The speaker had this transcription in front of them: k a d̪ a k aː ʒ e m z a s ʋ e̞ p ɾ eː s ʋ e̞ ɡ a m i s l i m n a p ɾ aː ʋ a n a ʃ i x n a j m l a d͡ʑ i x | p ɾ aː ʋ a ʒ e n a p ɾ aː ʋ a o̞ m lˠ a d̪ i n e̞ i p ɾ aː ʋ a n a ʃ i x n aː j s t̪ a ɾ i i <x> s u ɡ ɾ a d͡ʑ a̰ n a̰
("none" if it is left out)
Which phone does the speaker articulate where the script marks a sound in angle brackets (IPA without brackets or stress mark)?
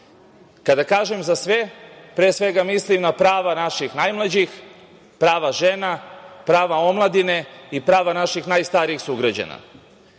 x